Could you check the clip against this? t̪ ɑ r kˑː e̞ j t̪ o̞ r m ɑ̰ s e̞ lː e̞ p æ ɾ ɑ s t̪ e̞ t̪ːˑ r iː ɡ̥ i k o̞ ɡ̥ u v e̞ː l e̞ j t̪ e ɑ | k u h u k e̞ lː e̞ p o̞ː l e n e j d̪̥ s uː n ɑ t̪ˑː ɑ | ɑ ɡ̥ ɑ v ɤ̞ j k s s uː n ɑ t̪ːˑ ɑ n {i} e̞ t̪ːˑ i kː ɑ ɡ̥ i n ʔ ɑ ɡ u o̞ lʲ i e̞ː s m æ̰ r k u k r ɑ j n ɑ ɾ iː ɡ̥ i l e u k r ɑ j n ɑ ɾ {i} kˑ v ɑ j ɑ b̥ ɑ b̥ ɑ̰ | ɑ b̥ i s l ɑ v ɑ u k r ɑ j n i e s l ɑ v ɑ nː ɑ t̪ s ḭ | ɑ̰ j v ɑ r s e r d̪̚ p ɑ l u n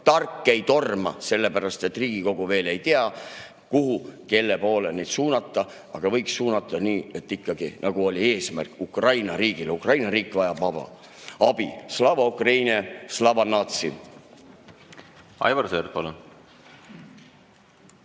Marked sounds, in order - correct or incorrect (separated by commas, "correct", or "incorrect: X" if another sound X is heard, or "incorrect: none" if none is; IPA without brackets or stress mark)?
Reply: incorrect: iː, incorrect: iː